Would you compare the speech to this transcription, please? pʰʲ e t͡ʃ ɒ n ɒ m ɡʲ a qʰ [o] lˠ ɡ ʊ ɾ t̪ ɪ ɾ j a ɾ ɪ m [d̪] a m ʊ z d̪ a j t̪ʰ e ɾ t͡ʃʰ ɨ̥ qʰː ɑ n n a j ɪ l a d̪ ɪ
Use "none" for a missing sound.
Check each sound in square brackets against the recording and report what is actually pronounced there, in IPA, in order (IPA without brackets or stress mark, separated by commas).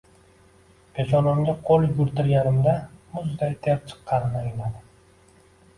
o, d̪